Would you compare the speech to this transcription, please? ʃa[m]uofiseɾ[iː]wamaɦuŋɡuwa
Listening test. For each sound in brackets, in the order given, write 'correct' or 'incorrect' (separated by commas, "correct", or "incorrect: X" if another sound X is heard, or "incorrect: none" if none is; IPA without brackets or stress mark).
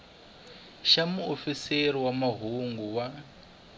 correct, incorrect: i